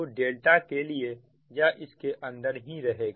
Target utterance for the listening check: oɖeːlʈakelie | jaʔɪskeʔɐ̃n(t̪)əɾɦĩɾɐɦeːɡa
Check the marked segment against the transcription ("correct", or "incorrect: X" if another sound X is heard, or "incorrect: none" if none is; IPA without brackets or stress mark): incorrect: d̪